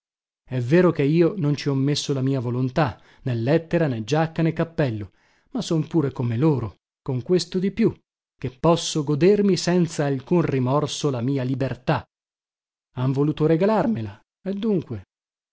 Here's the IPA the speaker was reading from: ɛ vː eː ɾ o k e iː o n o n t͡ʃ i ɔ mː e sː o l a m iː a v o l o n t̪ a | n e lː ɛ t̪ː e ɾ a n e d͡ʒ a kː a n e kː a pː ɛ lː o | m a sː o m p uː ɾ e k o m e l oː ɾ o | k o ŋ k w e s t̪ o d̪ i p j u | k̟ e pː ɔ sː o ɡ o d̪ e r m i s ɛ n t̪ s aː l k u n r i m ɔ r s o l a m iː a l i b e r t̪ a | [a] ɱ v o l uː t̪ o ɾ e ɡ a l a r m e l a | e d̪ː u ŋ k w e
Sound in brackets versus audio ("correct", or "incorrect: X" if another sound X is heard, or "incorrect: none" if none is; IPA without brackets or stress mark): correct